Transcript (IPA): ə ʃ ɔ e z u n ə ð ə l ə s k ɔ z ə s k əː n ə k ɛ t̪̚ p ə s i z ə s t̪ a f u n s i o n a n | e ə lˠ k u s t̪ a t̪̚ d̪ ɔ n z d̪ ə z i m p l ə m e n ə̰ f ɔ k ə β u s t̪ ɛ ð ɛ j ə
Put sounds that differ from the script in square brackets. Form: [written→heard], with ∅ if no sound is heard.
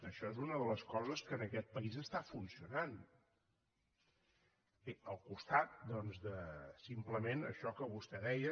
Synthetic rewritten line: ə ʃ ɔ e z u n ə ð ə l ə s k ɔ z ə s k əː n ə k ɛ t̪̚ p ə [s→∅] i z ə s t̪ a f u n s i [o→u] n a n | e ə lˠ k u s t̪ a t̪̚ d̪ ɔ n z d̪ ə [z→s] i m p l ə m e n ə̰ [f→ʃ] ɔ k ə β u s t̪ ɛ ð ɛ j ə